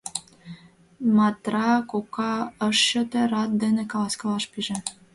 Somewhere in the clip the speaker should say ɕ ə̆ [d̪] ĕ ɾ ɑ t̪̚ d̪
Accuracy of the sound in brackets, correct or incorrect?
incorrect